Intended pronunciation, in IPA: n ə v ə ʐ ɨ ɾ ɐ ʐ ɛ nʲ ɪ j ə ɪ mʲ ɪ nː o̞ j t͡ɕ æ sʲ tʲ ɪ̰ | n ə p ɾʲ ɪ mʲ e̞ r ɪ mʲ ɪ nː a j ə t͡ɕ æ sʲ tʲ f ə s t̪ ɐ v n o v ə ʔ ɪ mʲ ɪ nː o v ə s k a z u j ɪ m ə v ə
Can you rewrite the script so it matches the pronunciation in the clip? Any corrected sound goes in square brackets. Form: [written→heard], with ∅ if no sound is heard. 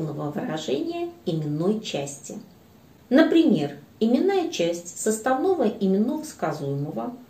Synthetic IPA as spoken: n ə v ə [ʐ→v] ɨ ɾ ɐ ʐ ɛ nʲ ɪ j ə ɪ mʲ ɪ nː o̞ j t͡ɕ æ sʲ tʲ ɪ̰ | n ə p ɾʲ ɪ mʲ e̞ r ɪ mʲ ɪ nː a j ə t͡ɕ æ sʲ tʲ [f→s] ə s t̪ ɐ v n o v ə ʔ ɪ mʲ ɪ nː o v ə s k a z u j ɪ m ə v ə